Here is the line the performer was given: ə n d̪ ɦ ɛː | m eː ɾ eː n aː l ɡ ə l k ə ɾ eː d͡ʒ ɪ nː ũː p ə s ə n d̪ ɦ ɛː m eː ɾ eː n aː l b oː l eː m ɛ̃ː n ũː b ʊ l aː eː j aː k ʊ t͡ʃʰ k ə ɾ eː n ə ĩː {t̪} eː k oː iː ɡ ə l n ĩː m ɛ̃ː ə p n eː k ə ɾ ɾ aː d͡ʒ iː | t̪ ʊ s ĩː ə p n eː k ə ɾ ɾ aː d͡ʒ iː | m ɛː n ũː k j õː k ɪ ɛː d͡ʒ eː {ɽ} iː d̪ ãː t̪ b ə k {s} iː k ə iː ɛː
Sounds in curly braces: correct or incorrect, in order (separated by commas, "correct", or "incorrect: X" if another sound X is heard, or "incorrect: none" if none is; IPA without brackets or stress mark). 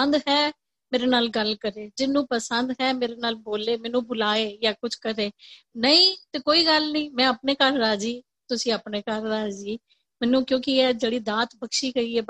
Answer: correct, correct, incorrect: ʃ